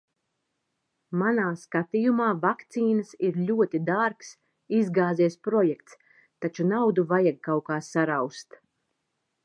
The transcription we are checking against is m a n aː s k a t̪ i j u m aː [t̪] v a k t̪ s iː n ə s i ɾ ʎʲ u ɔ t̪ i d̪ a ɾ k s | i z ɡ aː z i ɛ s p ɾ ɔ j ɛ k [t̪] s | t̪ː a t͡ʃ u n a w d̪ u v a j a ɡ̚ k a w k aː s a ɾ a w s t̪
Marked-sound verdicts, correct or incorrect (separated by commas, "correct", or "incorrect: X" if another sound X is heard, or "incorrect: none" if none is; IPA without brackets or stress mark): incorrect: none, correct